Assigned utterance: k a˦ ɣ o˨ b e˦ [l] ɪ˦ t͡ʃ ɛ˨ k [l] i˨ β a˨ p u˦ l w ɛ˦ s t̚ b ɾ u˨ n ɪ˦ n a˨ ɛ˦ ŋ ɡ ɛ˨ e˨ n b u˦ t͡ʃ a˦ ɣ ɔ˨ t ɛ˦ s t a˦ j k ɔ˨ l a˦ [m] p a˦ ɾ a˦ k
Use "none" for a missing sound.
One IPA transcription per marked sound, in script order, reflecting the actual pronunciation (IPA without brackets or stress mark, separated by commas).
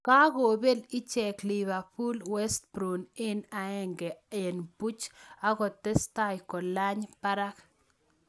l, l, ɲ